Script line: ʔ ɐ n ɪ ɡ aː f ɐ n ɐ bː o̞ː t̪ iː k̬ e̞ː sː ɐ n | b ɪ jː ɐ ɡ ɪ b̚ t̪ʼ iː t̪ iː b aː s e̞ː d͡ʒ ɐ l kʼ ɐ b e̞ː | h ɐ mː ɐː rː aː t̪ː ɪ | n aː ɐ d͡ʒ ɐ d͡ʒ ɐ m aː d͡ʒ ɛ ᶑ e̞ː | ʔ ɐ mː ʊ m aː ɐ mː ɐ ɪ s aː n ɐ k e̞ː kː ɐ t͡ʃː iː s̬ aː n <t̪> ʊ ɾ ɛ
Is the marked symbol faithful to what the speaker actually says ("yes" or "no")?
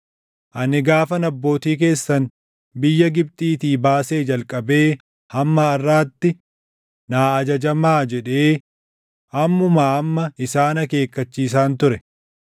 yes